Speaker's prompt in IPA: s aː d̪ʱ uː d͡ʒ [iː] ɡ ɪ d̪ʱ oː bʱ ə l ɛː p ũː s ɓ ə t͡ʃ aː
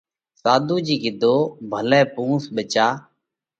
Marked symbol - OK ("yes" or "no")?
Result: yes